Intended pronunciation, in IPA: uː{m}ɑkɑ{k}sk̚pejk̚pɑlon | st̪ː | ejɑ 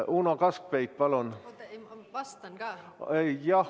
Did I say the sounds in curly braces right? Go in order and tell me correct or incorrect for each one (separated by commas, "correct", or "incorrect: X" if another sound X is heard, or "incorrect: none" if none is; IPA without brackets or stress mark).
incorrect: n, incorrect: none